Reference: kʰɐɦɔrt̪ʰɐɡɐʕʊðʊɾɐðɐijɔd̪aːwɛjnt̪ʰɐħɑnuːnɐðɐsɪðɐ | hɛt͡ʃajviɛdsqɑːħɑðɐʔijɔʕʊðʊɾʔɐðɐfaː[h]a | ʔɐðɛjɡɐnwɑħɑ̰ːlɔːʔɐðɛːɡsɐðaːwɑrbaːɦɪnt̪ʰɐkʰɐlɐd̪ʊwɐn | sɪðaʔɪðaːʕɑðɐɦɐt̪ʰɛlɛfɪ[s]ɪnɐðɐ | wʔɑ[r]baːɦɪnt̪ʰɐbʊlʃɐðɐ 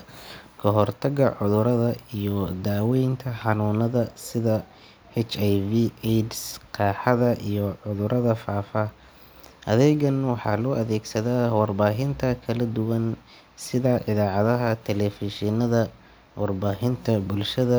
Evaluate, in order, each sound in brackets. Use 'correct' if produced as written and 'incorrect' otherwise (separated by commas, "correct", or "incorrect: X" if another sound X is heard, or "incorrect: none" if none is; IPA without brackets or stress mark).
incorrect: f, incorrect: ʃ, correct